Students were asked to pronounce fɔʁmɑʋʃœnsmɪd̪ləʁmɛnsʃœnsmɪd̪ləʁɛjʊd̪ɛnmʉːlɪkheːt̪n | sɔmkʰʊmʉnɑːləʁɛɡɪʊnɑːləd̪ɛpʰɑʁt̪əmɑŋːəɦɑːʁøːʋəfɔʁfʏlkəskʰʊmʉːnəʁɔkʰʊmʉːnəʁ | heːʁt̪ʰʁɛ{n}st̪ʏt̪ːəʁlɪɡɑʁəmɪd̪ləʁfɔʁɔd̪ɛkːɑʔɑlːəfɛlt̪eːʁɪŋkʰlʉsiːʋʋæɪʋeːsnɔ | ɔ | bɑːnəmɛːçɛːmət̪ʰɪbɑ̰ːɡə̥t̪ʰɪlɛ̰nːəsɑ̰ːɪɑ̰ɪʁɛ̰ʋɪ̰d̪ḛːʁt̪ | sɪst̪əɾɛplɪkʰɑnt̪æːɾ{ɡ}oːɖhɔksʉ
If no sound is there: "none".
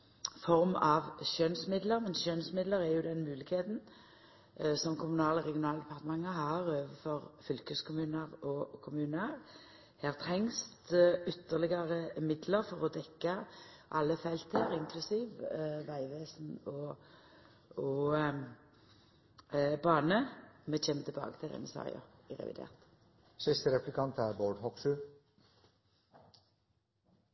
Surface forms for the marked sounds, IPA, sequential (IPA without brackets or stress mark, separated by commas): ŋ, b